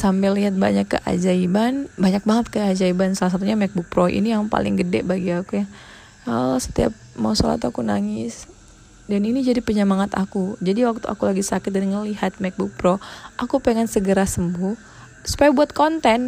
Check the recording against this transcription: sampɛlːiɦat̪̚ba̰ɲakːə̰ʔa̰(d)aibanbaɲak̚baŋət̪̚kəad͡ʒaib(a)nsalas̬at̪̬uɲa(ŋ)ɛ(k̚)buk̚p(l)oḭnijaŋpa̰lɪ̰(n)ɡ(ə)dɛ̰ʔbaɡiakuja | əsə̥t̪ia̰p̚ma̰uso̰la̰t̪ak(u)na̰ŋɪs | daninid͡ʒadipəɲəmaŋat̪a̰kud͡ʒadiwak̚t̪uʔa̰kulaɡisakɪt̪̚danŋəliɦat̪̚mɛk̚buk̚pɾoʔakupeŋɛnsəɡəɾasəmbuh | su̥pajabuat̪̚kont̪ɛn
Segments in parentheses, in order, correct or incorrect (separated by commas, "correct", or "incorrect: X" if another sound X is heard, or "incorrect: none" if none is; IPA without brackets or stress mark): incorrect: d͡ʒ, correct, incorrect: m, correct, incorrect: ɾ, incorrect: ŋ, correct, correct